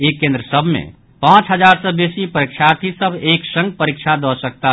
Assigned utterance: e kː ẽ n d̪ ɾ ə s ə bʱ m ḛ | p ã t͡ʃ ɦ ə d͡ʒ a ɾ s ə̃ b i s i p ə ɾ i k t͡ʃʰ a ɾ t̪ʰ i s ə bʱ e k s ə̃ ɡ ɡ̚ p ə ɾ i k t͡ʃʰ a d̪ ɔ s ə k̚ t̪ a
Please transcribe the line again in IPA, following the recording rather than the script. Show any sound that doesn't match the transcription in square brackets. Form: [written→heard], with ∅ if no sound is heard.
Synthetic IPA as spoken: e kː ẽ n d̪ ɾ ə s ə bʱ m ḛ | p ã t͡ʃ ɦ ə d͡ʒ a ɾ s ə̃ b [i→e] s i p ə ɾ i k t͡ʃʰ a ɾ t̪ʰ i s ə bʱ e k s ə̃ [ɡ→ŋ] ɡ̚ p ə ɾ i k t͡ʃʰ a d̪ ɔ s ə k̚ t̪ a